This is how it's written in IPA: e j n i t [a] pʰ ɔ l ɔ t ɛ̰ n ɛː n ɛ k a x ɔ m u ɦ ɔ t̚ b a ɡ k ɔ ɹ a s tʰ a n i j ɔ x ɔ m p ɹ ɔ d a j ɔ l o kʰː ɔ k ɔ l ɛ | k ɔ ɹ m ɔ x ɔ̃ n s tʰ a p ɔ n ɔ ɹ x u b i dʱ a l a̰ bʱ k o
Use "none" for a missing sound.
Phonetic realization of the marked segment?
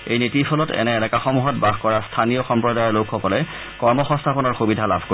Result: i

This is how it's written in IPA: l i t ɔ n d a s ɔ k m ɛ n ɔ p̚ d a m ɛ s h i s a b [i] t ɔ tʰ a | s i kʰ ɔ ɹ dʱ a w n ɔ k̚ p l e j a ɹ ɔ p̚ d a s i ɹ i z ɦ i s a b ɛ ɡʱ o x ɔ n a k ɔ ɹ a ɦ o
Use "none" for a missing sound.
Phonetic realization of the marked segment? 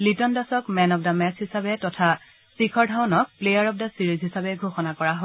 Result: ɛ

